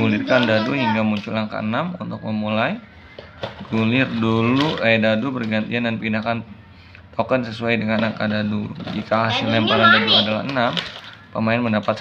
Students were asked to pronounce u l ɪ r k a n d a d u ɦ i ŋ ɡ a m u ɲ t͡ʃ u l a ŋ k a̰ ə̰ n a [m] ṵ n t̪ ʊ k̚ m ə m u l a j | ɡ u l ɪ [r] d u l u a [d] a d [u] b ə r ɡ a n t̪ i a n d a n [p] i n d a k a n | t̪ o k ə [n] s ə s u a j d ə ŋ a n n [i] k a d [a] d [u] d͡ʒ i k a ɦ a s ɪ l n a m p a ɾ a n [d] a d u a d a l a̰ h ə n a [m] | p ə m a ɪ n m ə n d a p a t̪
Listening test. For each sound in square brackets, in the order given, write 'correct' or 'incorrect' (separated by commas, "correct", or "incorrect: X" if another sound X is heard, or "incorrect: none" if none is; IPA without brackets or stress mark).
correct, correct, correct, correct, correct, correct, incorrect: a, correct, correct, correct, correct